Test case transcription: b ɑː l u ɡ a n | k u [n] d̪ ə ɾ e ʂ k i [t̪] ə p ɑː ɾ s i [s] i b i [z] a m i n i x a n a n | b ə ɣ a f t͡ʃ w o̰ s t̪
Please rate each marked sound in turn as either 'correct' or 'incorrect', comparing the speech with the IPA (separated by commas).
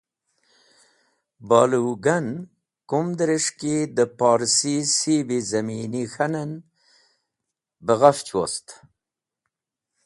incorrect, incorrect, correct, correct